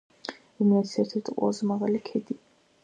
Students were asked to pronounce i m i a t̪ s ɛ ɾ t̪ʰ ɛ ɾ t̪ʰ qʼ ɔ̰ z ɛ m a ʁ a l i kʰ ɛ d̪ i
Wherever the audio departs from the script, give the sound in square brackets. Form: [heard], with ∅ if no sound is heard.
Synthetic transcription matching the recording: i m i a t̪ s ɛ ɾ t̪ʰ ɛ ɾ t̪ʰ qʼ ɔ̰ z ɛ m a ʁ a l i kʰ ɛ d̪ i